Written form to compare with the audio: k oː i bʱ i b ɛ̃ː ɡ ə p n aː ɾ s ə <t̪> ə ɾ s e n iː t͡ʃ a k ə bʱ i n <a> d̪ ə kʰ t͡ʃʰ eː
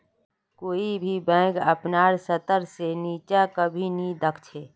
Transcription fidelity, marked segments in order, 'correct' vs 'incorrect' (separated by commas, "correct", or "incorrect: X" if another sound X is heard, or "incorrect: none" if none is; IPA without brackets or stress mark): correct, incorrect: i